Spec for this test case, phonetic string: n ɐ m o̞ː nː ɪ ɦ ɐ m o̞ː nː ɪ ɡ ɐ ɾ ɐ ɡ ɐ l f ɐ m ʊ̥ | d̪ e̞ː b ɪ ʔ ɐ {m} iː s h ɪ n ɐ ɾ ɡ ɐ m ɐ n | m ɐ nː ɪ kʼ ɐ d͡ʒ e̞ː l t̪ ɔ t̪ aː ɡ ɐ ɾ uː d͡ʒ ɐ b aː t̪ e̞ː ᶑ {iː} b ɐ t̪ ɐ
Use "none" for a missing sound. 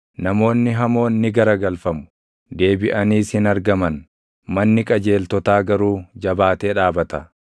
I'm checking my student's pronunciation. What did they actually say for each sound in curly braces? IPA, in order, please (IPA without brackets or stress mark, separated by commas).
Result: n, aː